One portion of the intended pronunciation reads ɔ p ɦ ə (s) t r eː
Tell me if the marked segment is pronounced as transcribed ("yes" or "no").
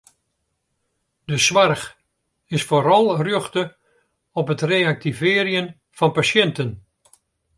no